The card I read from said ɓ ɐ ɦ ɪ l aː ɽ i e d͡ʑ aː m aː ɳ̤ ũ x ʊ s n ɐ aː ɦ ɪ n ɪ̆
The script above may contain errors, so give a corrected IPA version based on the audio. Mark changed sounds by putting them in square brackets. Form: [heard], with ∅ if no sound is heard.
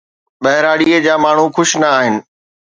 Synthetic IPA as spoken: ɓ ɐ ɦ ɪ [ɾ] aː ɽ i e d͡ʑ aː m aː ɳ̤ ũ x ʊ [ʃ] n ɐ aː ɦ ɪ n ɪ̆

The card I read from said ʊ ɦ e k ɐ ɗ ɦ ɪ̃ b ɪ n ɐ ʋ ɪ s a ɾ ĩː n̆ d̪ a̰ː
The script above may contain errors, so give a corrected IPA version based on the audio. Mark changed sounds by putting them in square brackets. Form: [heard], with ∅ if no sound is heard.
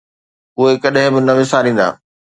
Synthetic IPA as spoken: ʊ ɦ e k ɐ ɗ ɦ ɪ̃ b ɪ n ɐ ʋ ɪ s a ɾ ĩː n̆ d̪ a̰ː

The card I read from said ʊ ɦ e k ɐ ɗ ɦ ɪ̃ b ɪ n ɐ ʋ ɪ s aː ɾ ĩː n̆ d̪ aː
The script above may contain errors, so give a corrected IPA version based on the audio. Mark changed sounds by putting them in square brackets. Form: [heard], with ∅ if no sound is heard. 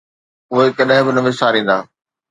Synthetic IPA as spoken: ʊ ɦ e k ɐ ɗ ɦ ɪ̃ b ɪ n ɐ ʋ ɪ s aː ɾ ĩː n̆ d̪ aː

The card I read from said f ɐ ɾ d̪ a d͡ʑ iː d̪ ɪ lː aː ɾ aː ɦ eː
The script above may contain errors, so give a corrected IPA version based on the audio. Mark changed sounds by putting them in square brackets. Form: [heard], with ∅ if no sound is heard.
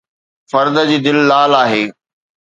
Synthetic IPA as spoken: f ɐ ɾ d̪ [ə] d͡ʑ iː d̪ ɪ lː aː [l] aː ɦ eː

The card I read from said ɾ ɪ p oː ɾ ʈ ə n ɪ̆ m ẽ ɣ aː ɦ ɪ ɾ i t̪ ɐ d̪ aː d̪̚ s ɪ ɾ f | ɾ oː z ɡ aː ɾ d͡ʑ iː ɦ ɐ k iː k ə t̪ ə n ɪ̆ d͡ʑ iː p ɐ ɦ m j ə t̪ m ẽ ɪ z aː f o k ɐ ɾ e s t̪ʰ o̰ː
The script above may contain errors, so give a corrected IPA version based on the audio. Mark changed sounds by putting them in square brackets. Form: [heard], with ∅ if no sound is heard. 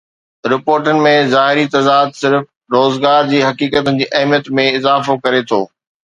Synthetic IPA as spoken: ɾ ɪ p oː ɾ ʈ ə n ɪ̆ m ẽ [z] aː ɦ ɪ ɾ i t̪ ɐ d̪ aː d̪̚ s ɪ ɾ f | ɾ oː z ɡ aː ɾ d͡ʑ iː ɦ ɐ k iː k ə t̪ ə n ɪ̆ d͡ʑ iː [ʔ] ɐ ɦ m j ə t̪ m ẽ ɪ z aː f o k ɐ ɾ e [∅] t̪ʰ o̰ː

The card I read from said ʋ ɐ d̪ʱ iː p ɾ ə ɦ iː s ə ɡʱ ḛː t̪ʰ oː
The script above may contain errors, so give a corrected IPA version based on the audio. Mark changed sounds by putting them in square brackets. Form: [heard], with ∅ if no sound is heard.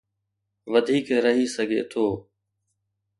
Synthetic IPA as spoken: ʋ [ə] d̪ʱ iː [k] ɾ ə ɦ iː s ə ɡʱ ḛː t̪ʰ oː

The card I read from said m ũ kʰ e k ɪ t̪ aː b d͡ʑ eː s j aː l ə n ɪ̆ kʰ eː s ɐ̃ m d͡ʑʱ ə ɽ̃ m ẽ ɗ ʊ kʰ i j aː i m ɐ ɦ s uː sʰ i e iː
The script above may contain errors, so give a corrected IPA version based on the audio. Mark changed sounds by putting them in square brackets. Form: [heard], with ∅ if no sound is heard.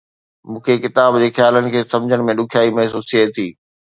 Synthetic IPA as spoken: m [ũː] kʰ e k ɪ t̪ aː b d͡ʑ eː [x] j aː l ə n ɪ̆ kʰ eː s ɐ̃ m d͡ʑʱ ə ɽ̃ m ẽ ɗ ʊ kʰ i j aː i m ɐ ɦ s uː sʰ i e iː

